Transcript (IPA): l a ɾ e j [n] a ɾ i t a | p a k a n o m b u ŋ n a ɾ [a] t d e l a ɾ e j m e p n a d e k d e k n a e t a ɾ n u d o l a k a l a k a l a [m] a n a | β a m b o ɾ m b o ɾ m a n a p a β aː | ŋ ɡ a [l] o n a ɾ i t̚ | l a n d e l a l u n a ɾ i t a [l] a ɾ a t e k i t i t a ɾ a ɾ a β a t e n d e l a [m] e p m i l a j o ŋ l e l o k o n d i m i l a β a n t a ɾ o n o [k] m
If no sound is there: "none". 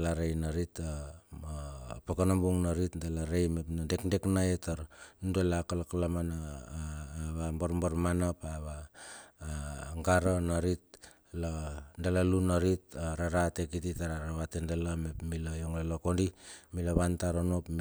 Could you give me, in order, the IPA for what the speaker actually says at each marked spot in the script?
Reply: n, i, m, ɾ, ɾ, m, p

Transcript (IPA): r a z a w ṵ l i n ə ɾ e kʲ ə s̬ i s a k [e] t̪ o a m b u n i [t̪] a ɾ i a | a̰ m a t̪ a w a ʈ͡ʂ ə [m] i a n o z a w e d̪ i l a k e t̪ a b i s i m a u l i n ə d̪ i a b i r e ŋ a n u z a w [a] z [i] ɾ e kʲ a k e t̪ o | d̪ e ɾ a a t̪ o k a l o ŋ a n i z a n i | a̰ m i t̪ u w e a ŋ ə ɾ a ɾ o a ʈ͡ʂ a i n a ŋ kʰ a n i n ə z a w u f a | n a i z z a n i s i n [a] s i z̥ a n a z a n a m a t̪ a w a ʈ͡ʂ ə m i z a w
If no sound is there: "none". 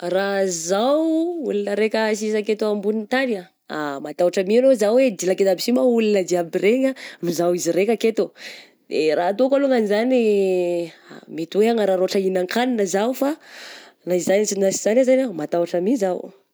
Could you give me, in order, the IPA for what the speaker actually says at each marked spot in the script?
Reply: e, t̪, m, i, i, a

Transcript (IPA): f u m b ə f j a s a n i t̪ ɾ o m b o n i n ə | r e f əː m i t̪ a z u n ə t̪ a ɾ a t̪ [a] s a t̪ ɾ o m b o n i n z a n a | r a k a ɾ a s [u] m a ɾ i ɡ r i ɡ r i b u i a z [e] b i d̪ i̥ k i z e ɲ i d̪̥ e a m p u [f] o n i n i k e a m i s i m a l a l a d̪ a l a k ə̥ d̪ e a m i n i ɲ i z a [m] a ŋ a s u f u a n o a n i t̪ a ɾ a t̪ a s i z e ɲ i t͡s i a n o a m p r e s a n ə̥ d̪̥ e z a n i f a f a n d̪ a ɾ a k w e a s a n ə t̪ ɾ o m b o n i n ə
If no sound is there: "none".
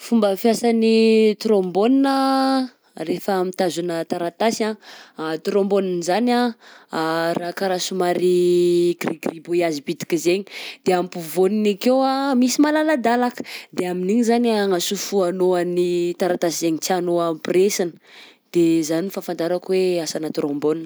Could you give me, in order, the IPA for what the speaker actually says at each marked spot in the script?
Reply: a, u, i, v, n

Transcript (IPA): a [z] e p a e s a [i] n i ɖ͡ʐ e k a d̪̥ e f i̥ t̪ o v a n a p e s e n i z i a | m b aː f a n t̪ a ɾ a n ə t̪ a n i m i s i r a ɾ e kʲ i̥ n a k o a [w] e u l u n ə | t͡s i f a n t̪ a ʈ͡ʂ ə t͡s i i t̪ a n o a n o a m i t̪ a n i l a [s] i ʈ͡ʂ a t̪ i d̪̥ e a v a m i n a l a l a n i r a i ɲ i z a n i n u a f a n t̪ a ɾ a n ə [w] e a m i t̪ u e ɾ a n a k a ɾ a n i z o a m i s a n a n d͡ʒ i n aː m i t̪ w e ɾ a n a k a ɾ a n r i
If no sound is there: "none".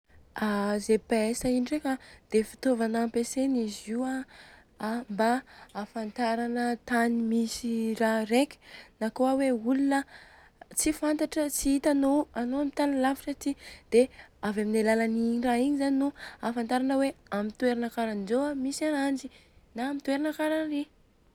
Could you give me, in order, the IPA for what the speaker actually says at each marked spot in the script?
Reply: z, i, w, f, w

